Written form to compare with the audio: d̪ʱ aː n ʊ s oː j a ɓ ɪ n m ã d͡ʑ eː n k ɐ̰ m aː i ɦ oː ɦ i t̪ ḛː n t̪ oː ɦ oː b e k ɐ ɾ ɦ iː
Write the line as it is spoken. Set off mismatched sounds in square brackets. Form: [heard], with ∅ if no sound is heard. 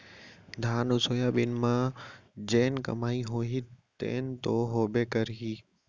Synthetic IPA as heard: d̪ʱ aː n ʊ s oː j a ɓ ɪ n m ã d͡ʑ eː n k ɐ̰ m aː i ɦ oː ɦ i t̪ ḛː n t̪ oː ɦ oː b e k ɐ ɾ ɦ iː